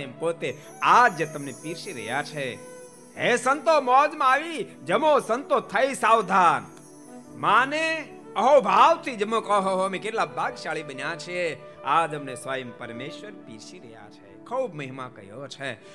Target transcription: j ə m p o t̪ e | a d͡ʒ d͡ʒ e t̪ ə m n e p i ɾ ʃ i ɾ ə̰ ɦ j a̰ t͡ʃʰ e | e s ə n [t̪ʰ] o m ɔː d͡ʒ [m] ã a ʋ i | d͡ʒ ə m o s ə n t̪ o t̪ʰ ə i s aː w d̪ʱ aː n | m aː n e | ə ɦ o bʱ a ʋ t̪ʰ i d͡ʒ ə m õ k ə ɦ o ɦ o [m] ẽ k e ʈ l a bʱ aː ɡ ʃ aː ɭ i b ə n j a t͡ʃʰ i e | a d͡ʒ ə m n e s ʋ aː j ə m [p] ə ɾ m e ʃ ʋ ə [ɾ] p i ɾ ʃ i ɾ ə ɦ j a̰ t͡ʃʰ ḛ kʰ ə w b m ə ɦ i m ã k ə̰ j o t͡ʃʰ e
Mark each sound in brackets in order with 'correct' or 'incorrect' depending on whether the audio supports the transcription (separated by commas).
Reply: incorrect, correct, correct, correct, correct